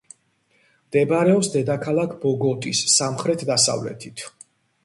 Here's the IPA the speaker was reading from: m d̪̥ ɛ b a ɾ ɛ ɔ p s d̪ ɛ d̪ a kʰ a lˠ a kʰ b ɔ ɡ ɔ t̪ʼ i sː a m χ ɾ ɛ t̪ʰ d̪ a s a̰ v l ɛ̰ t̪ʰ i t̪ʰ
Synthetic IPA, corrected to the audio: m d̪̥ ɛ b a ɾ ɛ ɔ p s d̪ ɛ d̪ a kʰ a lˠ a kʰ b ɔ ɡ ɔ t̪ʼ i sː a m χ ɾ ɛ t̪ʰ d̪ a s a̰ v l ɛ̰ t̪ʰ i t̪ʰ